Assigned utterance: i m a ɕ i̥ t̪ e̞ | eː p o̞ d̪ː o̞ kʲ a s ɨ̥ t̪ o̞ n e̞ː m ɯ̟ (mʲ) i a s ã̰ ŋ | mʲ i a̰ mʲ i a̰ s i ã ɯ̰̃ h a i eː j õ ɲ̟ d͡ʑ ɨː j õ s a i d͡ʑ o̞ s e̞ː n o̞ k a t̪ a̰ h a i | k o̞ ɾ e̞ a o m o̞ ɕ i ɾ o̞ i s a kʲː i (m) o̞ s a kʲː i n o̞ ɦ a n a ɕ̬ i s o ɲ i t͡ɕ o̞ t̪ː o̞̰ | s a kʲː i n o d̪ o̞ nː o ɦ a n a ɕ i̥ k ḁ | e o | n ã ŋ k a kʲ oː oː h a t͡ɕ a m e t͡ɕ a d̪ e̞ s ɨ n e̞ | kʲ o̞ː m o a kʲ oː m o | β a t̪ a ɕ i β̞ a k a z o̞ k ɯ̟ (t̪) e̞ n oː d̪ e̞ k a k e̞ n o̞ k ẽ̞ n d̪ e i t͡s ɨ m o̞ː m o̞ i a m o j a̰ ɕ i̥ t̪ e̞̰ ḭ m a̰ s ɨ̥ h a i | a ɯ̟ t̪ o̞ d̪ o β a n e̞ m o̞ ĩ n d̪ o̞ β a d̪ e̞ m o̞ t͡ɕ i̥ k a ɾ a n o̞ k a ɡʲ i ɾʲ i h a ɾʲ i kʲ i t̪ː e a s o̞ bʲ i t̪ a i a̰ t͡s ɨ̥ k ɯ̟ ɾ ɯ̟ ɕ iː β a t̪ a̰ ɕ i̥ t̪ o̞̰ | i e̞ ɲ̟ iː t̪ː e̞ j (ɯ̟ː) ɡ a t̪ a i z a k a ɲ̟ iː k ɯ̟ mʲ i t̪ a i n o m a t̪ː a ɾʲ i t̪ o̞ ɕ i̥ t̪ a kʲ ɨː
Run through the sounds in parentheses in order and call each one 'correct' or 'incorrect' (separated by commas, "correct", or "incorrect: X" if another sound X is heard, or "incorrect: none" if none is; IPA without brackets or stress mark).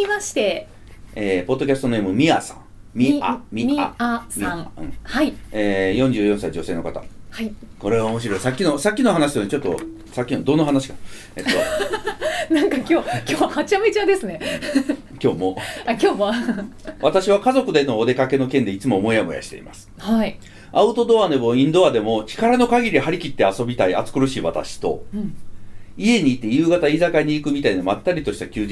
correct, incorrect: n, incorrect: d̪, correct